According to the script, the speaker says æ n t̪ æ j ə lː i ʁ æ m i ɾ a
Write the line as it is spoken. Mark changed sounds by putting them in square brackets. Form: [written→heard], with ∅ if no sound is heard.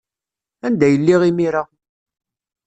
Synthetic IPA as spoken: æ n [t̪→d̪] æ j ə lː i ʁ [æ→i] m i ɾ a